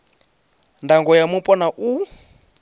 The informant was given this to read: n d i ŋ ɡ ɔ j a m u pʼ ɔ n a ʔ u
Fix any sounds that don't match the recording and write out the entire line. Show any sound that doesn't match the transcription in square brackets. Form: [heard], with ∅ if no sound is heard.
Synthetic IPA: n d [a] ŋ ɡ ɔ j a m u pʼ ɔ n a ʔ u